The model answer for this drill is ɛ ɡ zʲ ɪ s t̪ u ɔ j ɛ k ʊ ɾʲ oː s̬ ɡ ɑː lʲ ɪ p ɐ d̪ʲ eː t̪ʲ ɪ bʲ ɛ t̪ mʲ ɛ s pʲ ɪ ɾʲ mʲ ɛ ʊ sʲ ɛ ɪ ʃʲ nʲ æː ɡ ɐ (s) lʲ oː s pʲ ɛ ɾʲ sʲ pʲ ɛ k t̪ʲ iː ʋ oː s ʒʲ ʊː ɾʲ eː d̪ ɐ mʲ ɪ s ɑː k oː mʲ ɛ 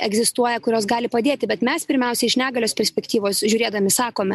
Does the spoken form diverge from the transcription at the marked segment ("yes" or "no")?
yes